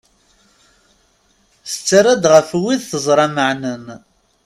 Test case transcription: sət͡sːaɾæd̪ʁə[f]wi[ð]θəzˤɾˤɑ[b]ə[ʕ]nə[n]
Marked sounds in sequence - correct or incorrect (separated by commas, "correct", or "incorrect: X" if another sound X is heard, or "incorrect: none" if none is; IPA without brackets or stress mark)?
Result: correct, correct, incorrect: m, correct, correct